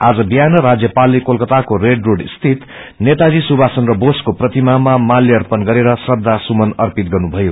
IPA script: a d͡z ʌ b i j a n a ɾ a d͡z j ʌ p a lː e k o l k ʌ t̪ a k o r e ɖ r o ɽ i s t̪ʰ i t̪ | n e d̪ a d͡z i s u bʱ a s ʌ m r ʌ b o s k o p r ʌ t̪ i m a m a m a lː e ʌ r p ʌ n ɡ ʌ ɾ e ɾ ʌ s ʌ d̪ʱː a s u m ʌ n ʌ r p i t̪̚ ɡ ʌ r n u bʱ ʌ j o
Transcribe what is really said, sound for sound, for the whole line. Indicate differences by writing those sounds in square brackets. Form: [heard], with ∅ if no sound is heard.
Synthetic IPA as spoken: a d͡z ʌ b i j a n [ʌ] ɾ a d͡z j ʌ p a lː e k o l k ʌ t̪ a k o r e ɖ r o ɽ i s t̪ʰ i t̪ | n e [t̪] a d͡z i s u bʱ a s ʌ [n] r ʌ b o s k o p r ʌ t̪ i m a m a m a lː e ʌ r p ʌ n ɡ ʌ ɾ e ɾ ʌ s ʌ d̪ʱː a s u m ʌ n ʌ r p i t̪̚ ɡ ʌ r n u bʱ ʌ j o